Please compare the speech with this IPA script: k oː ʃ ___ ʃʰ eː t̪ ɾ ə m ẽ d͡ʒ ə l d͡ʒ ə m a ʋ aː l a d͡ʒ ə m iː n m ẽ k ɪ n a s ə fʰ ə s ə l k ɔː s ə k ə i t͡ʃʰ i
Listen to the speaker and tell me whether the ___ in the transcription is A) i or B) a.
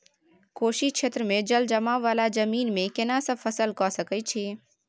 A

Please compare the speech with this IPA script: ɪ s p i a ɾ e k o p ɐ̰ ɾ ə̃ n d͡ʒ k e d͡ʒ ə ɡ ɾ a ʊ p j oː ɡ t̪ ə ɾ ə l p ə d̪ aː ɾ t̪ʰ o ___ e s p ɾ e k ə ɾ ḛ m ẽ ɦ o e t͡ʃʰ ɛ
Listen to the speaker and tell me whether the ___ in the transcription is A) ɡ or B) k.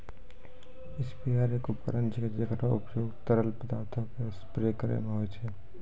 B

